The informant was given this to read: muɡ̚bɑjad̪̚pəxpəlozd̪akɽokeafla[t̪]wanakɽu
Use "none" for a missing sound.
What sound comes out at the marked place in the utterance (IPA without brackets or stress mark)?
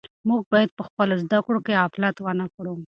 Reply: t̪